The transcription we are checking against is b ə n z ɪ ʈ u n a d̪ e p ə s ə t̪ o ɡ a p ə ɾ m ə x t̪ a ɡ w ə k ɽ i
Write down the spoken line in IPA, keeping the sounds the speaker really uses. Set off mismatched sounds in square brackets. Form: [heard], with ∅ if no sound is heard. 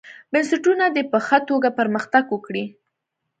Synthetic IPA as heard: b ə n [s] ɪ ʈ u n a d̪ e p ə [x] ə t̪ o ɡ a p ə ɾ m ə x t̪ a ɡ w ə k ɽ i